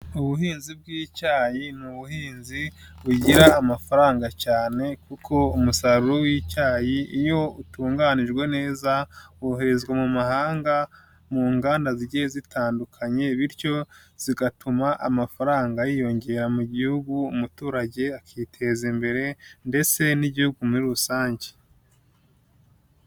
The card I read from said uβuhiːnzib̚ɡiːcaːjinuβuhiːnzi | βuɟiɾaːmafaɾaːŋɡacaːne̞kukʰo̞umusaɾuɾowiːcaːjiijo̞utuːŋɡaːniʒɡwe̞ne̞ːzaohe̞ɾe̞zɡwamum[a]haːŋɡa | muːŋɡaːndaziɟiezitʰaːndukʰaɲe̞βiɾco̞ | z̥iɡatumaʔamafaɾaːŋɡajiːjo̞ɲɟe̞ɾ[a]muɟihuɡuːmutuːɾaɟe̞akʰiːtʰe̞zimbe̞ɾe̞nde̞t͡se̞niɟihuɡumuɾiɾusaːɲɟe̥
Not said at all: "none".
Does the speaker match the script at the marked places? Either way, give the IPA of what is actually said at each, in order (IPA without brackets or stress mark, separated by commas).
a, a